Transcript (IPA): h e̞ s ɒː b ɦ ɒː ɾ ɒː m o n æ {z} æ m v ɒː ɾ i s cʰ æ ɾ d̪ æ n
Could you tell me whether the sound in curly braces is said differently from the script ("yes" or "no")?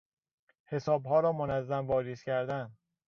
yes